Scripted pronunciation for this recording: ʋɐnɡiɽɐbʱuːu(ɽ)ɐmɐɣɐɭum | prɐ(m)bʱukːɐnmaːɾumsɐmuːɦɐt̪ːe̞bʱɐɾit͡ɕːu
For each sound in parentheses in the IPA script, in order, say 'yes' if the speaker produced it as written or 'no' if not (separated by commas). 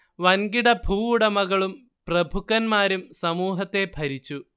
yes, no